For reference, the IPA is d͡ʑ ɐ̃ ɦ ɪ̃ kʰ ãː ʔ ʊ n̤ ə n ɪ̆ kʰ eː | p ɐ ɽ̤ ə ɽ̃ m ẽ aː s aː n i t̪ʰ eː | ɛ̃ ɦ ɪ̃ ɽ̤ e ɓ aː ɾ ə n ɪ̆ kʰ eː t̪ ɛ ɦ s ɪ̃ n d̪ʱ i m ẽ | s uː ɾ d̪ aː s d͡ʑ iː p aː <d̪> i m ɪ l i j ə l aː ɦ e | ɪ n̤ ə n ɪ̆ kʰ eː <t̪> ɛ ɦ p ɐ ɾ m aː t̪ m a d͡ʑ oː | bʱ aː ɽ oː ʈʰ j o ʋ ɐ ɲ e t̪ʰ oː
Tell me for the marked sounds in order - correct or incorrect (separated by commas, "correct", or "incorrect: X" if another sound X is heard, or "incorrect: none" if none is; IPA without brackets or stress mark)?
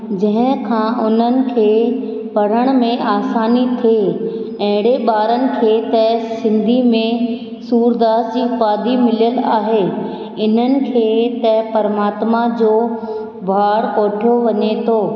correct, correct